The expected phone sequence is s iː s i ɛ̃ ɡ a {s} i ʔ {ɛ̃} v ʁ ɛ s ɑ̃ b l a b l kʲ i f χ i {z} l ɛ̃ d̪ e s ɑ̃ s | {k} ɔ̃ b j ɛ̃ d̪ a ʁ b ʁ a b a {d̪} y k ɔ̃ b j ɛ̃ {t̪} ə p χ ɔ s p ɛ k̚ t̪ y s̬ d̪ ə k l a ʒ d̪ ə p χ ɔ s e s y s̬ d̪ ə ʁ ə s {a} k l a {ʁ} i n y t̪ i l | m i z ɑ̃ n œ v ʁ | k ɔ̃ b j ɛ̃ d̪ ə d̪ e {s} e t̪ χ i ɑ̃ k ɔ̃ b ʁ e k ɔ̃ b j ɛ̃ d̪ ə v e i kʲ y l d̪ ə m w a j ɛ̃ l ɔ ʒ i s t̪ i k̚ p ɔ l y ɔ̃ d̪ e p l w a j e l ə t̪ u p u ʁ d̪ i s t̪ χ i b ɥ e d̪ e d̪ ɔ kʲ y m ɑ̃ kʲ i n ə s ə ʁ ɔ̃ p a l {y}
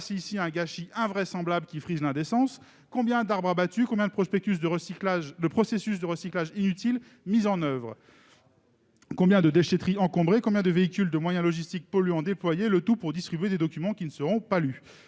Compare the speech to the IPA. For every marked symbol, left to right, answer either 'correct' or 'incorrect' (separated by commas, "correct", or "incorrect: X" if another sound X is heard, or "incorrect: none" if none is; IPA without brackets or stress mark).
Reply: incorrect: ʃ, correct, correct, correct, incorrect: t̪, incorrect: d̪, incorrect: i, incorrect: ʒ, incorrect: ʃ, correct